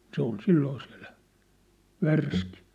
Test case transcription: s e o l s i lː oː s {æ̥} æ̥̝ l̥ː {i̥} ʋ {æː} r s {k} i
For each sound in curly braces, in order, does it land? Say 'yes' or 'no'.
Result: no, no, no, yes

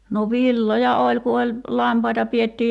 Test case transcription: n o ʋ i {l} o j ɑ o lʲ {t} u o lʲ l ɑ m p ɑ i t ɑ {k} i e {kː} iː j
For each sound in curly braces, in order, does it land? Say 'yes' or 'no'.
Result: no, no, no, no

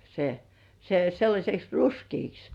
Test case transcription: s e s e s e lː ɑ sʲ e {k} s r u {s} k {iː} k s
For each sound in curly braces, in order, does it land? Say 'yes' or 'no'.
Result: yes, yes, yes

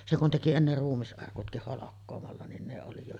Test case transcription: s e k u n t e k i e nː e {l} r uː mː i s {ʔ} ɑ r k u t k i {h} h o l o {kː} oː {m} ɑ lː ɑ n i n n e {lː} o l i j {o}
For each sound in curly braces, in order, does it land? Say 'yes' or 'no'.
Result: no, yes, yes, yes, yes, no, yes

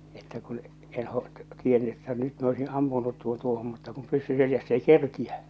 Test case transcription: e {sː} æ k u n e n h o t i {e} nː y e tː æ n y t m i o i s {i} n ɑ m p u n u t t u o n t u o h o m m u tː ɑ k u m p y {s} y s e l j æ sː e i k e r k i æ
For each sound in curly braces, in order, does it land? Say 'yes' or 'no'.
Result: no, yes, yes, no

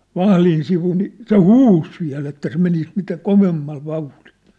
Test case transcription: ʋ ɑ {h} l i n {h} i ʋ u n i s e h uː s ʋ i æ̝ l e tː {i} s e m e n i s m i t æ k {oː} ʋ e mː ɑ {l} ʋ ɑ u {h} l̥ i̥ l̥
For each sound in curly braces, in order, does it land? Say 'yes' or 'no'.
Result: yes, no, no, no, yes, yes

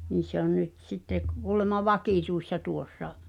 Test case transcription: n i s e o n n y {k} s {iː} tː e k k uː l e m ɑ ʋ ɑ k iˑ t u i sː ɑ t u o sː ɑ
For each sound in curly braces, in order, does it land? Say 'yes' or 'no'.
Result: no, no

